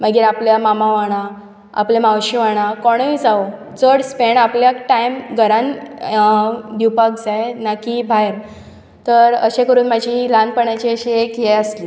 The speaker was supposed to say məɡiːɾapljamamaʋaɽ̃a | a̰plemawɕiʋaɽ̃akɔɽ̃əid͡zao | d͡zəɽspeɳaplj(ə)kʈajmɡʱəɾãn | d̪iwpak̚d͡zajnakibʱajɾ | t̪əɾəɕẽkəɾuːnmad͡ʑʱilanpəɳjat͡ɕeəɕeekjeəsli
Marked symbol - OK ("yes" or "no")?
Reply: no